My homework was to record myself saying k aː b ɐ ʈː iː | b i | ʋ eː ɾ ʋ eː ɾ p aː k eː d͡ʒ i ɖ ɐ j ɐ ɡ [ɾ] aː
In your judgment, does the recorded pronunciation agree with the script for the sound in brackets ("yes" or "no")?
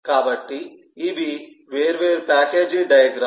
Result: yes